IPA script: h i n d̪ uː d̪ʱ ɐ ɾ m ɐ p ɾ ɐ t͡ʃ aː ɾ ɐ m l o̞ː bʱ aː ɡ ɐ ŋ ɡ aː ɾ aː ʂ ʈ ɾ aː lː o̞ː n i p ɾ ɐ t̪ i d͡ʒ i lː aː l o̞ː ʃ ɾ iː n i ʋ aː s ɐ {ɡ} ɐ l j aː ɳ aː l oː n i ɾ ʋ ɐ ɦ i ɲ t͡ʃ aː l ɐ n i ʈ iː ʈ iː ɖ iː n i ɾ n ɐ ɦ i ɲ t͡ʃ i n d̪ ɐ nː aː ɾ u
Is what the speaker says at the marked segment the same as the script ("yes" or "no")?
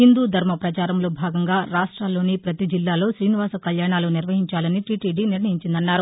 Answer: no